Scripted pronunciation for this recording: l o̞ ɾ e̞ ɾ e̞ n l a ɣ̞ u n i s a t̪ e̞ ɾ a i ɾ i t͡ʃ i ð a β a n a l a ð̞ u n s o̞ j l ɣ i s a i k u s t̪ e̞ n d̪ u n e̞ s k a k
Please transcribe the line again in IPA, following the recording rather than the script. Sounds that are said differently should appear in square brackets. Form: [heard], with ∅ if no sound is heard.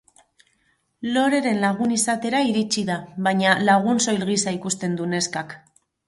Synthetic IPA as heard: l o̞ ɾ e̞ ɾ e̞ n l a ɣ̞ u n i s a t̪ e̞ ɾ a i ɾ i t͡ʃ i ð a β a [ɲ] a l a [ɣ̞] u n s o̞ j l ɣ i s a i k u s t̪ e̞ n d̪ u n e̞ s k a k